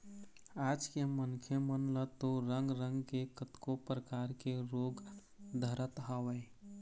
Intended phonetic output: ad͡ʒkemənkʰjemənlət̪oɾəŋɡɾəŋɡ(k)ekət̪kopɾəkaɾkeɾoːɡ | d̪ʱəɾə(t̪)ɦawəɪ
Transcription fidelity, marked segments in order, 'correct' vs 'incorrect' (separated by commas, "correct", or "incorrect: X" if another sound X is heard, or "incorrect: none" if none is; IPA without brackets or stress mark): correct, correct